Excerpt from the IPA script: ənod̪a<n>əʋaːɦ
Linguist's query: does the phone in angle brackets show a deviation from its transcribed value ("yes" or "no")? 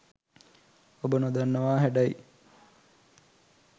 yes